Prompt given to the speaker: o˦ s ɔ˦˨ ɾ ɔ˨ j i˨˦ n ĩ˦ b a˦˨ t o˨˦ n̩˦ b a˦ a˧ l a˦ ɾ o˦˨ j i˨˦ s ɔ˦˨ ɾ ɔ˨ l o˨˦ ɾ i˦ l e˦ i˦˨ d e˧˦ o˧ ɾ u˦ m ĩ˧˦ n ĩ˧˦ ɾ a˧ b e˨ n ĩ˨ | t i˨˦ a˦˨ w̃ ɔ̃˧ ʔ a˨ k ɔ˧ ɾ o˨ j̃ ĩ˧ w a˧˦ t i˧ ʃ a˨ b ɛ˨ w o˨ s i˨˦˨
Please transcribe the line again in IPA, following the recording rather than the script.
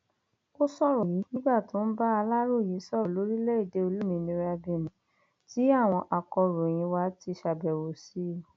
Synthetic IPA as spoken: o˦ s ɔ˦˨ ɾ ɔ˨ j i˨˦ n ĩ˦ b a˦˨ t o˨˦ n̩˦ b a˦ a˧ l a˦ ɾ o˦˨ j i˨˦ s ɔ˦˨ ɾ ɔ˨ l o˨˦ ɾ i˦ l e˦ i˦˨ d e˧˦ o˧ l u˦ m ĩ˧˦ n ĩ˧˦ ɾ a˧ b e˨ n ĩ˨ | t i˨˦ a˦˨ w̃ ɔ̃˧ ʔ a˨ k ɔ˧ ɾ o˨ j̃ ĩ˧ w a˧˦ t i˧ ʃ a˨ b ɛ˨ w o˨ s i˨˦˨

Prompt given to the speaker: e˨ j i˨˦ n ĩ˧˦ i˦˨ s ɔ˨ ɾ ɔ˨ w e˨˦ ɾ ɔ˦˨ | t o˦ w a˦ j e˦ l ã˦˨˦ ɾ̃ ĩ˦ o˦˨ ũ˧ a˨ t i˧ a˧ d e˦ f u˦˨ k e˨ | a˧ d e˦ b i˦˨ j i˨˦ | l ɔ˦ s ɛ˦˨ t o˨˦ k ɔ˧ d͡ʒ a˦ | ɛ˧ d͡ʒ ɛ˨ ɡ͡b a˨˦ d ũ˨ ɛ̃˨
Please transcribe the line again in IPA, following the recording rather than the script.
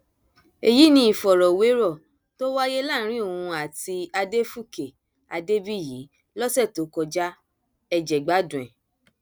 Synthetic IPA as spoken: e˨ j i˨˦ n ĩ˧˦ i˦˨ f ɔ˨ ɾ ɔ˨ w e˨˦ ɾ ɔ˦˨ | t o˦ w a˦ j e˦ l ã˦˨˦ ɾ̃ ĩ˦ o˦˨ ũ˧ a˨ t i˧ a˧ d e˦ f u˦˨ k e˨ | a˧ d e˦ b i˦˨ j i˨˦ | l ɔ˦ s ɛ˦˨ t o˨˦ k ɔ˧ d͡ʒ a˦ | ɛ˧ d͡ʒ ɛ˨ ɡ͡b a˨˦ d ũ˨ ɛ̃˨

